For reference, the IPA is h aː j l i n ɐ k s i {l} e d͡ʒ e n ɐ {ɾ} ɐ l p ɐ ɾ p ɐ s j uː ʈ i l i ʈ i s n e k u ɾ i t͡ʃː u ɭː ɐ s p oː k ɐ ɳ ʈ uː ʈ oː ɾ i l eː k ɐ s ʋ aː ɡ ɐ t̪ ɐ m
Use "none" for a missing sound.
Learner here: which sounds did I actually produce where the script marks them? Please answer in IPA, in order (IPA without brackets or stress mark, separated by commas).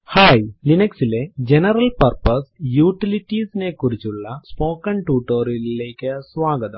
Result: l, ɾ